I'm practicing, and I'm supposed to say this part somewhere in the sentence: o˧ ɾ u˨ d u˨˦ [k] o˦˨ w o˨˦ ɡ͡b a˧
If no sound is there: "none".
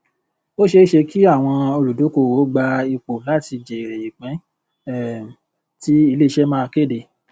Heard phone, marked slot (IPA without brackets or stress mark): k